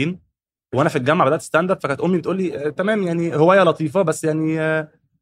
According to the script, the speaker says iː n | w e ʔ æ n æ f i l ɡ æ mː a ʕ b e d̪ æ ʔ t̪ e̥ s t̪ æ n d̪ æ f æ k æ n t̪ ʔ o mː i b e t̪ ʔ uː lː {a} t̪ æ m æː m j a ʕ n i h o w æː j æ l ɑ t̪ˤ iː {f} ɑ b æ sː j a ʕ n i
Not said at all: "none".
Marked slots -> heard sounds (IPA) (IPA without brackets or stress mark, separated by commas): i, f